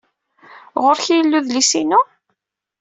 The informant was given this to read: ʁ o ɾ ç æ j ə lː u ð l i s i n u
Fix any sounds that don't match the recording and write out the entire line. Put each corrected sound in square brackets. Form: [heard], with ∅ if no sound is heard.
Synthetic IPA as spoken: ʁ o ɾ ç [i] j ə lː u ð l i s i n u